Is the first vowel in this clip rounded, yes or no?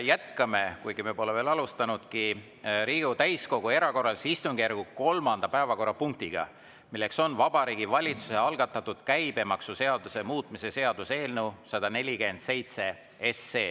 no